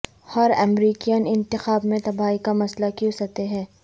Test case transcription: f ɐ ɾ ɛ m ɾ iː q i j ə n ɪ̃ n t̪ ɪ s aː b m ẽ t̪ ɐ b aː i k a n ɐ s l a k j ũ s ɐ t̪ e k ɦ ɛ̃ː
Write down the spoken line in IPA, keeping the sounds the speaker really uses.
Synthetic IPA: h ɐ ɾ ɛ m ɾ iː k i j ə n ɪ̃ n t̪ ɪ x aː b m ẽ t̪ ɐ b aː i k a m ɐ s l a k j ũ s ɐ t̪ e ɦ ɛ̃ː